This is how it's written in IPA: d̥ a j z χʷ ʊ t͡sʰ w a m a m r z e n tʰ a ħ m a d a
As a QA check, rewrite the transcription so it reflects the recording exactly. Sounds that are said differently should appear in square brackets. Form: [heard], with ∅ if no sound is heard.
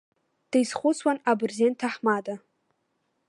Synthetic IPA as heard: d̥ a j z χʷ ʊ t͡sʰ w a [n] a [b] r z e n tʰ a ħ m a d a